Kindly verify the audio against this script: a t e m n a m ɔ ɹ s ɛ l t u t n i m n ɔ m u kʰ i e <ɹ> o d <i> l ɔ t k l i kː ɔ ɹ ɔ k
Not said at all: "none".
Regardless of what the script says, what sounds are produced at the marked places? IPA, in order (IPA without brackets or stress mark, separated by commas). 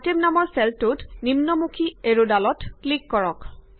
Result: ɹ, a